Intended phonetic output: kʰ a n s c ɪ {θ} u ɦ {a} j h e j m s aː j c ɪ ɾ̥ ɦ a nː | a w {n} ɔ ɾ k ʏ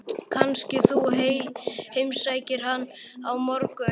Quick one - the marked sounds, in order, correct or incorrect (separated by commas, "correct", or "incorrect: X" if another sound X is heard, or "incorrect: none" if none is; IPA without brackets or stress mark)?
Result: correct, incorrect: e, incorrect: m